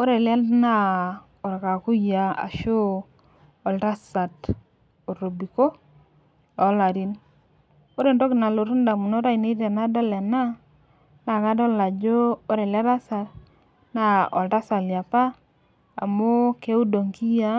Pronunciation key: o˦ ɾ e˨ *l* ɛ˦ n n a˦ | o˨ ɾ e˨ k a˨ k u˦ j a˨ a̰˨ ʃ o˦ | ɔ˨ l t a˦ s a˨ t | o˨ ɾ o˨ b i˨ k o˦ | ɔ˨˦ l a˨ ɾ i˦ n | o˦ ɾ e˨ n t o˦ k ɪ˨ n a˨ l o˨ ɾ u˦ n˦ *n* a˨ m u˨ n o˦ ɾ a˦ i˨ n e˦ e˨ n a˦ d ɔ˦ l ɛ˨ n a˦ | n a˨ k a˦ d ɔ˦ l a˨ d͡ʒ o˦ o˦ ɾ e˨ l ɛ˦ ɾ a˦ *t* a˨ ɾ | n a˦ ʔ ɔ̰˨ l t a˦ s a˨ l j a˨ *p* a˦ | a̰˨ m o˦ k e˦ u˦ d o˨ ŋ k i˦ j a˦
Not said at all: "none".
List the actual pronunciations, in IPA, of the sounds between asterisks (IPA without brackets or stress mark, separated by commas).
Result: l, d, s, p